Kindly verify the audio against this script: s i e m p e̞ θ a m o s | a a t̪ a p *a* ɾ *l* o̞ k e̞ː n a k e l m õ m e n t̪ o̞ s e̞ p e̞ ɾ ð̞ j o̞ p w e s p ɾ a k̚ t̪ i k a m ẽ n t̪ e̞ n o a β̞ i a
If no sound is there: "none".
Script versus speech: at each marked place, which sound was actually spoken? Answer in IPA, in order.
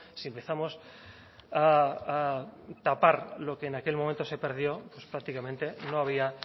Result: a, l

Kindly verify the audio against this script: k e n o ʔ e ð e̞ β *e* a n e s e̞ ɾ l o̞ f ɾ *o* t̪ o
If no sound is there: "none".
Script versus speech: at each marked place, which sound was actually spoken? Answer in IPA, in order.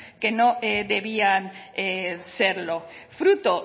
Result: i, u

